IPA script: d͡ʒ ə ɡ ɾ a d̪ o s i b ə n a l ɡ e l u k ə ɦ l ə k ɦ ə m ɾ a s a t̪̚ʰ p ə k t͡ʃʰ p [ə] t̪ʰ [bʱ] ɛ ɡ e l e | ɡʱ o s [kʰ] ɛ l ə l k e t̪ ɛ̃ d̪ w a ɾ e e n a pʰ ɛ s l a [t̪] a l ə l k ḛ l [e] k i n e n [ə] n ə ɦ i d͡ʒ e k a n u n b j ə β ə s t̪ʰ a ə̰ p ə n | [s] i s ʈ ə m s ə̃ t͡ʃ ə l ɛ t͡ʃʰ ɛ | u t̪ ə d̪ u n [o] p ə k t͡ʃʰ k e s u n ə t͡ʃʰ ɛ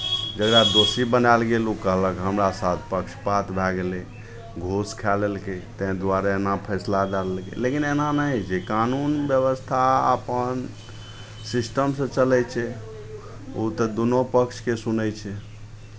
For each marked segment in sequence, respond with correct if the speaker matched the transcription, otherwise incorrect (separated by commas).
incorrect, correct, correct, incorrect, correct, incorrect, correct, correct